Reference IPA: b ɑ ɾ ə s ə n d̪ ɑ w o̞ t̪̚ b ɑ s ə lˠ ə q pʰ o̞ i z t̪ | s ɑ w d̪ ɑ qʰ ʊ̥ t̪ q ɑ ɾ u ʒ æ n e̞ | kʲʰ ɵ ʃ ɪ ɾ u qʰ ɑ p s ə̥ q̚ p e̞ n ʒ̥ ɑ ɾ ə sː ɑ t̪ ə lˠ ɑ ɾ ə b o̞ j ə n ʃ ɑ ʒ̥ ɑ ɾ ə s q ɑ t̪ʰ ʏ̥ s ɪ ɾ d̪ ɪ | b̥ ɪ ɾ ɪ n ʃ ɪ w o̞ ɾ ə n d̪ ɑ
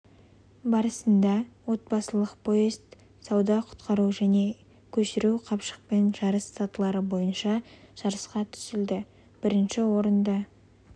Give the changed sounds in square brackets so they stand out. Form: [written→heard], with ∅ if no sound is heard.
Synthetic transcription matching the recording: b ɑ ɾ ə s ə n d̪ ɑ w o̞ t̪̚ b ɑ s ə lˠ ə q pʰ o̞ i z t̪ | s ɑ w d̪ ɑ qʰ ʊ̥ t̪ q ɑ ɾ u ʒ æ n e̞ | kʲʰ ɵ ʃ ɪ ɾ u qʰ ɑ p [s→ʃ] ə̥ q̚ p e̞ n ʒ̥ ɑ ɾ ə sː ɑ t̪ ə lˠ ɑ ɾ ə b o̞ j ə n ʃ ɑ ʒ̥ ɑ ɾ ə s q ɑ t̪ʰ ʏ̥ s ɪ [ɾ→l] d̪ ɪ | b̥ ɪ ɾ ɪ n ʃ ɪ w o̞ ɾ ə n d̪ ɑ